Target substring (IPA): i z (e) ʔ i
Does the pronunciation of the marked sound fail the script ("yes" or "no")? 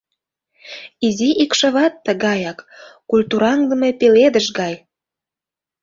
yes